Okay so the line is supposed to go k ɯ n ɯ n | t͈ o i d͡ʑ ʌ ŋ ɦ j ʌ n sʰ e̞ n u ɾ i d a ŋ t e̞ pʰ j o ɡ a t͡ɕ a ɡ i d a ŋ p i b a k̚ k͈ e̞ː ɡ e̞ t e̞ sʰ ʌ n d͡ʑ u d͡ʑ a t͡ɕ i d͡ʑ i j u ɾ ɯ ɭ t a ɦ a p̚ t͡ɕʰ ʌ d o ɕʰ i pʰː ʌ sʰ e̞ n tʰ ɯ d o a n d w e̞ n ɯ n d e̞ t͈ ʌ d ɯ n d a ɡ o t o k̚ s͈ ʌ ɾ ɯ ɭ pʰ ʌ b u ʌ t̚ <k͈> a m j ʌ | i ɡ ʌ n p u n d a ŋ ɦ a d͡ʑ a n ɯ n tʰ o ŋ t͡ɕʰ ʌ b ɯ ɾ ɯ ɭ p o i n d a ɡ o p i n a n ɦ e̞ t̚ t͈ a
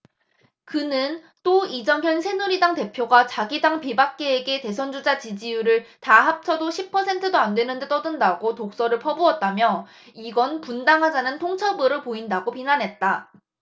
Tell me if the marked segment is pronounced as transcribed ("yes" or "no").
no